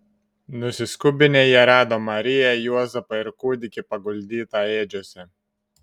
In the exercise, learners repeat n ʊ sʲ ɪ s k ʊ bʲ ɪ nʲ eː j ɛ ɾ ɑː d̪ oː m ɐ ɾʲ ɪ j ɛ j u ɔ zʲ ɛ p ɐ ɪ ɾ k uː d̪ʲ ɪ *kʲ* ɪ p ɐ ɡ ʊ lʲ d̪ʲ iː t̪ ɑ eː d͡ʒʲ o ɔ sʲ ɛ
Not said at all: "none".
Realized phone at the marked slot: kʲ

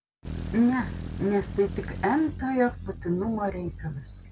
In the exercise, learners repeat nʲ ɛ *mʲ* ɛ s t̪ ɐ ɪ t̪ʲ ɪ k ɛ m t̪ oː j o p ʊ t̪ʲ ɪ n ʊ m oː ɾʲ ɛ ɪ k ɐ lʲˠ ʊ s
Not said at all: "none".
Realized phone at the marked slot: nʲ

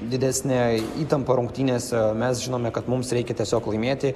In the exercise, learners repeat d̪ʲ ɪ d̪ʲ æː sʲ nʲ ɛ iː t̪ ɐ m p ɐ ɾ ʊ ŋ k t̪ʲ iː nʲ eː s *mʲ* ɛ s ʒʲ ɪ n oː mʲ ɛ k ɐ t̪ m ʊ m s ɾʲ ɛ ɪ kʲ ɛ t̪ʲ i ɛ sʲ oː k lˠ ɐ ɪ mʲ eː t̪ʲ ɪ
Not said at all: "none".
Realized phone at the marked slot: mʲ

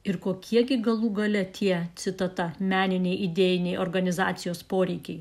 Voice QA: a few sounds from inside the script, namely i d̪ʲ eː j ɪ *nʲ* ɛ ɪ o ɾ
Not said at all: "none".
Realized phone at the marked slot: nʲ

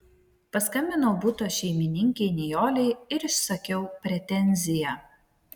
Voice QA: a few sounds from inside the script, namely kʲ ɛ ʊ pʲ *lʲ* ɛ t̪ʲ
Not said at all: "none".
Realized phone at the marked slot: ɾʲ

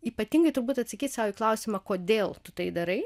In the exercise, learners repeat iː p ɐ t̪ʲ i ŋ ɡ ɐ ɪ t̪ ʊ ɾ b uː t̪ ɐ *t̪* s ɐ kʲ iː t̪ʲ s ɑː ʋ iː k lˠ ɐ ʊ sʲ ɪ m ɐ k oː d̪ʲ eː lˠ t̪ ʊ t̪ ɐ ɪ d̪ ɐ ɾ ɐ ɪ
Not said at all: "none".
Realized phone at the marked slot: t̪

